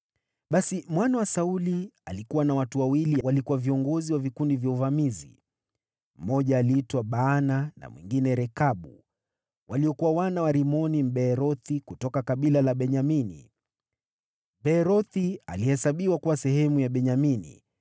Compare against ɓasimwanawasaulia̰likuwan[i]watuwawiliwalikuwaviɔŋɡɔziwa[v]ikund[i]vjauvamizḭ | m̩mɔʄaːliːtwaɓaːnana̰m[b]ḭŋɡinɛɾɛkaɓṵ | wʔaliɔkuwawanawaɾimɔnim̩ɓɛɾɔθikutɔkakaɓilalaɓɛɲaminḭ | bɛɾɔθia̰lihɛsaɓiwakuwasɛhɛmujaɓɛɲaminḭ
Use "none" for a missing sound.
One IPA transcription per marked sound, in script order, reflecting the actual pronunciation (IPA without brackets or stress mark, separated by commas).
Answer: a, v, i, w